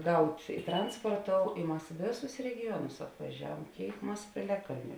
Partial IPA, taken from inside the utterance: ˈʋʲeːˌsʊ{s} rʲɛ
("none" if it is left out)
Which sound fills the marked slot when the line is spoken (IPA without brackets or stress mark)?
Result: s